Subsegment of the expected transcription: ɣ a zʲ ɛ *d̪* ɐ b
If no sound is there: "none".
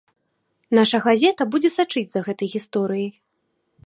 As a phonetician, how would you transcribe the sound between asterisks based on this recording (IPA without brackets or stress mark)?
t̪